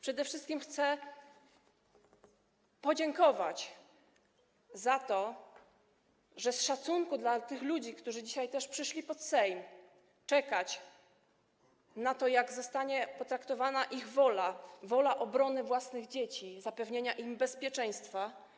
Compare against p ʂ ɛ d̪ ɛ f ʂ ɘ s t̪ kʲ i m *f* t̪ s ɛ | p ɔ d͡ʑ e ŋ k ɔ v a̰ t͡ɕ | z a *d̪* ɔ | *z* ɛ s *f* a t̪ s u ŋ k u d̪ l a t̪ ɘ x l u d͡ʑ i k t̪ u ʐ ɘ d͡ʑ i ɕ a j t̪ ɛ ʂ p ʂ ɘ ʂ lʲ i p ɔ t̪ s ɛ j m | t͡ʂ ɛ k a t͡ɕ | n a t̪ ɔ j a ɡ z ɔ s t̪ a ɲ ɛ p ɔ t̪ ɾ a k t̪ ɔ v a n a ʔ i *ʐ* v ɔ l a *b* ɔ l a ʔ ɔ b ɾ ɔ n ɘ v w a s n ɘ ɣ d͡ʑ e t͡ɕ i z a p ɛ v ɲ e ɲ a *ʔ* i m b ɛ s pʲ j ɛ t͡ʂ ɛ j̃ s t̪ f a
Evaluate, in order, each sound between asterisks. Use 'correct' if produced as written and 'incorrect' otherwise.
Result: incorrect, incorrect, incorrect, incorrect, incorrect, incorrect, correct

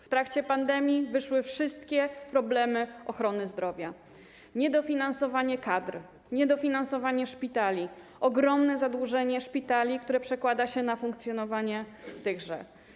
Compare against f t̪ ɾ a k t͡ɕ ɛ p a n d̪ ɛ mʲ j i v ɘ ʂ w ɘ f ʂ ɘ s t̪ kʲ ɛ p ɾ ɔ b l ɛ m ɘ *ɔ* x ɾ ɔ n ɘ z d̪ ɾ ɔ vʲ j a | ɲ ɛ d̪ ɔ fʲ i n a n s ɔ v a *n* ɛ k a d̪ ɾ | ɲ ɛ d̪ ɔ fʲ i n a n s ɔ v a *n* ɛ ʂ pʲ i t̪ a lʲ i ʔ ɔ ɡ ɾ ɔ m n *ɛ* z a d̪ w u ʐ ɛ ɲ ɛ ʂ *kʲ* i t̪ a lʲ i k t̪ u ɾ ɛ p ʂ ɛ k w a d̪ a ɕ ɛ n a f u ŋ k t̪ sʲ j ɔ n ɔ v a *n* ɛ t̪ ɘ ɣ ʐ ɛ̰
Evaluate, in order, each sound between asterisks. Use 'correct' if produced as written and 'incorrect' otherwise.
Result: correct, incorrect, incorrect, correct, incorrect, incorrect

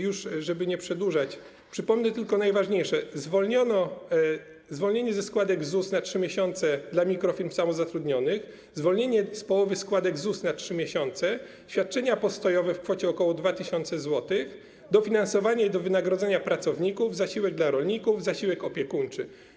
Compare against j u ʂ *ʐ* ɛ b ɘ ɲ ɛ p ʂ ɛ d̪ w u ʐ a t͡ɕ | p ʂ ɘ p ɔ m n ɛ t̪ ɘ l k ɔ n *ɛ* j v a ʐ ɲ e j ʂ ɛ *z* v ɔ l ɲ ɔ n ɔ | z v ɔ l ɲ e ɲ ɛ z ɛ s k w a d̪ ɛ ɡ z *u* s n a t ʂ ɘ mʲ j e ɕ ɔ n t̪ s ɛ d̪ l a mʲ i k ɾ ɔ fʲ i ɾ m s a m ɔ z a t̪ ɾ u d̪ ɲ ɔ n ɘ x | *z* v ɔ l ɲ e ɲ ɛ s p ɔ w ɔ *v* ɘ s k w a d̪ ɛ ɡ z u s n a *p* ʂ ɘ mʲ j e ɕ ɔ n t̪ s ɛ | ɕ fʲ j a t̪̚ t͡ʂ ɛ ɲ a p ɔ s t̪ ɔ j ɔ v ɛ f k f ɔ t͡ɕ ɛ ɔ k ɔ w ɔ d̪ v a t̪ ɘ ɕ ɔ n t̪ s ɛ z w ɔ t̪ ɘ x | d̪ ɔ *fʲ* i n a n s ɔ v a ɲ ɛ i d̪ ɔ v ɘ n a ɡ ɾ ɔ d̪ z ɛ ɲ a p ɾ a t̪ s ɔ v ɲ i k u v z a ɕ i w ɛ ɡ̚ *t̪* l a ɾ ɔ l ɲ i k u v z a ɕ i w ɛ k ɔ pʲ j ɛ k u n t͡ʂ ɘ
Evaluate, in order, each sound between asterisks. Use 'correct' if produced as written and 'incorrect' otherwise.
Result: correct, incorrect, correct, correct, correct, correct, incorrect, correct, incorrect

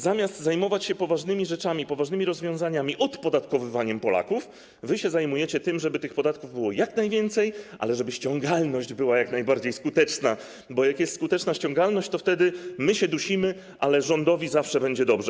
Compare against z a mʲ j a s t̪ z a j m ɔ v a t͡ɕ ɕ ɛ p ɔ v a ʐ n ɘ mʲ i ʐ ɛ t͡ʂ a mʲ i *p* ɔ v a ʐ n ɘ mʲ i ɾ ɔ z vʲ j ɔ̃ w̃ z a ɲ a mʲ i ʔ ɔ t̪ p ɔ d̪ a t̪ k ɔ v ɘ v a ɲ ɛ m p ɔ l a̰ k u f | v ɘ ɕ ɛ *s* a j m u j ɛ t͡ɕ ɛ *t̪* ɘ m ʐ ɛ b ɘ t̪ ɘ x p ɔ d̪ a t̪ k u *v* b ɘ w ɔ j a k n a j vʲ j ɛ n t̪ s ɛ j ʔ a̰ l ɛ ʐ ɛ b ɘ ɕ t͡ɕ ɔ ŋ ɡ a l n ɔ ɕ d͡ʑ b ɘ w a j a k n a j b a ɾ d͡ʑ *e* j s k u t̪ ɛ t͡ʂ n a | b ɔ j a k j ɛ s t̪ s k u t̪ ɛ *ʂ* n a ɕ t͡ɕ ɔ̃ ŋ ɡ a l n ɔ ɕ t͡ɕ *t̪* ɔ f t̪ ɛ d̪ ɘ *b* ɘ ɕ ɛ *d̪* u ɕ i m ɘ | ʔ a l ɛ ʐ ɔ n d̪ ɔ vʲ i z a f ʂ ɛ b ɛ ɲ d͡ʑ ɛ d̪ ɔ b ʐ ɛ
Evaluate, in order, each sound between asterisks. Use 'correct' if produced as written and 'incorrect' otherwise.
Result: correct, incorrect, correct, correct, correct, incorrect, correct, incorrect, correct

